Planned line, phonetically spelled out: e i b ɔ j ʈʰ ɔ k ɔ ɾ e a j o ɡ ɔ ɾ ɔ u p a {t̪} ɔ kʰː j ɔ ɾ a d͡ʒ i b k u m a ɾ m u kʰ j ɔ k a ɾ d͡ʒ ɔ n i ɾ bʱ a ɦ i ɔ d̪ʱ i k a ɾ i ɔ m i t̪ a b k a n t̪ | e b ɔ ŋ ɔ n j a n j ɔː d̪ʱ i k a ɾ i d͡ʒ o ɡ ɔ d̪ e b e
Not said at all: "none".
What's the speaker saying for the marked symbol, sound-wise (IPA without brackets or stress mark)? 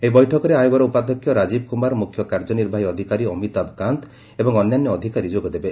d̪